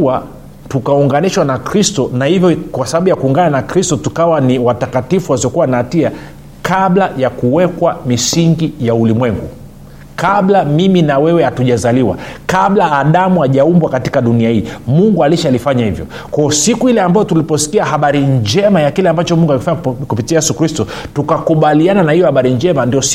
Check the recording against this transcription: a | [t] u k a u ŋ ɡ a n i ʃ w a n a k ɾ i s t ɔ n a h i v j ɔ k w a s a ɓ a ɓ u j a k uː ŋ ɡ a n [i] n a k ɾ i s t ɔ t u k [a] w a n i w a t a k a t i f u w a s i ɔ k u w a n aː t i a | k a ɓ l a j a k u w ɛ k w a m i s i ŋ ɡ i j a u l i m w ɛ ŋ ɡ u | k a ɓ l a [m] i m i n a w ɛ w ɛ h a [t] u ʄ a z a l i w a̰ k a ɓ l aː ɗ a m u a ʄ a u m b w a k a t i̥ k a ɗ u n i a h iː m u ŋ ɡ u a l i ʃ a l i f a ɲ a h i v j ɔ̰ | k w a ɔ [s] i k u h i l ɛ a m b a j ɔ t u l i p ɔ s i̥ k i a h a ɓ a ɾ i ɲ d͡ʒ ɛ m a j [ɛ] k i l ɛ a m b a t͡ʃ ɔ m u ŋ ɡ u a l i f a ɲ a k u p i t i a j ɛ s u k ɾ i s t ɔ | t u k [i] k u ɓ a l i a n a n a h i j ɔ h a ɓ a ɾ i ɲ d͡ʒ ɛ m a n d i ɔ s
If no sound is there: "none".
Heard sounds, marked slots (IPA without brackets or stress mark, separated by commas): t, a, a, m, t, s, a, a